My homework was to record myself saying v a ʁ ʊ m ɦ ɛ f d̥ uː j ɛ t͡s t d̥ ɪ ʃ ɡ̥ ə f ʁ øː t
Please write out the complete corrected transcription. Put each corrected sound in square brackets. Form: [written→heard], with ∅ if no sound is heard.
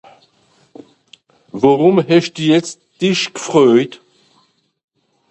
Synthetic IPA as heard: v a ʁ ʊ m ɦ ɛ [f→ʃ] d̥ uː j ɛ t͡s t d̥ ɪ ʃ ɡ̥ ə f ʁ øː t